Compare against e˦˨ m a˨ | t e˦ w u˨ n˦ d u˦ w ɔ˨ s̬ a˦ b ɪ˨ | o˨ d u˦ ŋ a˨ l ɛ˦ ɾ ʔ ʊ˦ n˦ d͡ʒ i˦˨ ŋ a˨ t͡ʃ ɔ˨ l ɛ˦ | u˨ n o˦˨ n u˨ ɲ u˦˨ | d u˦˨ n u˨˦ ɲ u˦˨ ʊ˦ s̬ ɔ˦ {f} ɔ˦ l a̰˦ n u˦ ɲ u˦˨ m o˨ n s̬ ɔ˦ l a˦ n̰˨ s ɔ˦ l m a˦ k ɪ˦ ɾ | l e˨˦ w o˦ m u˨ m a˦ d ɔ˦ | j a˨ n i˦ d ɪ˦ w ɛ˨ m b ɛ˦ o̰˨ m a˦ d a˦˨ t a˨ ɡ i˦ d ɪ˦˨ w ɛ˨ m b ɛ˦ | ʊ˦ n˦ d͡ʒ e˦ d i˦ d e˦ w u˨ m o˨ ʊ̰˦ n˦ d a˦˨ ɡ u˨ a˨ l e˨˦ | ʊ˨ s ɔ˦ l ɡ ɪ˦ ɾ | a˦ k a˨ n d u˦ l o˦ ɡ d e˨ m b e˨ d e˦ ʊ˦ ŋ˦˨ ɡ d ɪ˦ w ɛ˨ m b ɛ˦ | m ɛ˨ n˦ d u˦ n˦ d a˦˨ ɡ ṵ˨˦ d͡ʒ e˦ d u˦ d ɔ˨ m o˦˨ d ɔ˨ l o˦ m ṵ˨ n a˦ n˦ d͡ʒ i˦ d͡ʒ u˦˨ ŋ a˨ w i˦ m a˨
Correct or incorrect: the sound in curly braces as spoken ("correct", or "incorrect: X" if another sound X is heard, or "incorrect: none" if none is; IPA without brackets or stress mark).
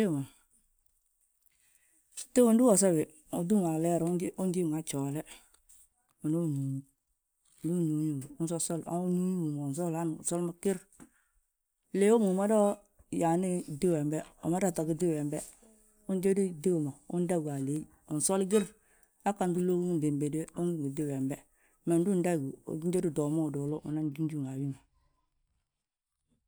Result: incorrect: s